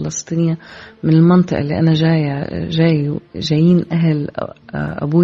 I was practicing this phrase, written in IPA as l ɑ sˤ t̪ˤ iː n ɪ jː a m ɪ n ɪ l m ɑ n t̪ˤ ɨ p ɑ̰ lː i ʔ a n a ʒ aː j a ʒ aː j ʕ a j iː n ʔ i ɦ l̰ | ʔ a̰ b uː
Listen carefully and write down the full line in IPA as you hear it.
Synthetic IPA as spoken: l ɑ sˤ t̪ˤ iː n ɪ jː a m ɪ n ɪ l m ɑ n t̪ˤ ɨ ʔ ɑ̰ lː i ʔ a n a ʒ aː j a ʒ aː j ʒ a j iː n ʔ a ɦ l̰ | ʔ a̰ b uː